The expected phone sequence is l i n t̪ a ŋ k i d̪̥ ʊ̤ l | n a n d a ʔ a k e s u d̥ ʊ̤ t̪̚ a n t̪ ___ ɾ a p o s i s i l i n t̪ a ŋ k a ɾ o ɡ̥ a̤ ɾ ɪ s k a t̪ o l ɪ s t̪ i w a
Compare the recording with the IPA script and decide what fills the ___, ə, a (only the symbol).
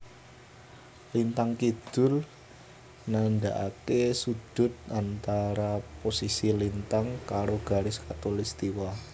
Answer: a